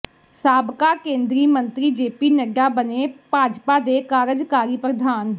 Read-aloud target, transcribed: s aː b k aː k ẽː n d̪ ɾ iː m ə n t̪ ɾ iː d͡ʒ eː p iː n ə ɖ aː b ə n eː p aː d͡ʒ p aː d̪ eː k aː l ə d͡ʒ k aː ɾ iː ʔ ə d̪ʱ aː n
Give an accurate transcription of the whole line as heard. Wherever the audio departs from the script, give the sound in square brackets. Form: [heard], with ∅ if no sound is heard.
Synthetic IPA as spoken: s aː b k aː k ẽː n d̪ ɾ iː m ə n t̪ ɾ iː d͡ʒ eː p iː n ə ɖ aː b ə n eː p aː d͡ʒ p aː d̪ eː k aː [ɾ] ə d͡ʒ k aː ɾ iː [p] ə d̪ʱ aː n

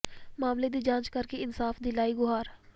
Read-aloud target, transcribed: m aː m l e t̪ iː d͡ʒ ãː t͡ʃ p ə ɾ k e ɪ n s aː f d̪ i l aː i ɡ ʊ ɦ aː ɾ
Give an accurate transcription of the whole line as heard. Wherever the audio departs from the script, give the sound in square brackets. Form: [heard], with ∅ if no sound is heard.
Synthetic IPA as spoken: m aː m l e [d̪] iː d͡ʒ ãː t͡ʃ [k] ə ɾ k e ɪ n s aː f d̪ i l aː i ɡ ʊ ɦ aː ɾ

